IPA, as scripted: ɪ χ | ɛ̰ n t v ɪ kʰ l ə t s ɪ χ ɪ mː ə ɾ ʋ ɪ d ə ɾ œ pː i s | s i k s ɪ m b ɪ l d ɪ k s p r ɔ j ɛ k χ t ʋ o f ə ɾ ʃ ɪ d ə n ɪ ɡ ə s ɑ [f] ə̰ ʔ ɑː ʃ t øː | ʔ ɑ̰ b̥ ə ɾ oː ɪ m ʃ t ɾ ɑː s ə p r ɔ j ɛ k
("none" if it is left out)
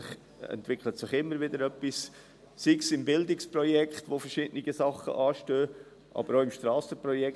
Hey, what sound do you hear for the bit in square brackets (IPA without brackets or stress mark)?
χ